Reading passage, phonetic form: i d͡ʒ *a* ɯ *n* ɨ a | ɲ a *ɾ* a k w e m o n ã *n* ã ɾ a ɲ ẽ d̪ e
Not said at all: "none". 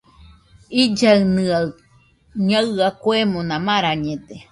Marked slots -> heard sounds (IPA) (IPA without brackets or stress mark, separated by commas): a, n, none, m